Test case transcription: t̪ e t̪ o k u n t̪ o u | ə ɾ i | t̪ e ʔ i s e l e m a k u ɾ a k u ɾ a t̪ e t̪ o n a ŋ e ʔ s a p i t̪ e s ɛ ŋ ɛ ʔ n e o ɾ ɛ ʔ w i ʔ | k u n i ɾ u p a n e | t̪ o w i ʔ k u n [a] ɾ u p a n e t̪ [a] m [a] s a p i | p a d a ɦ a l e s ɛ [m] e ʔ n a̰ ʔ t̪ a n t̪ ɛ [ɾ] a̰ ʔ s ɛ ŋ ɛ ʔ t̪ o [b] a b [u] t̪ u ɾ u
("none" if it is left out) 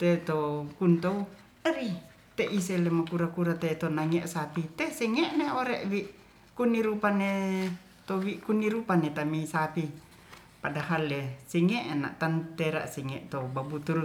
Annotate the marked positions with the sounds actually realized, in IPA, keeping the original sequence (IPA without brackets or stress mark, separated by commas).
i, a, i, ŋ, ɾ, b, u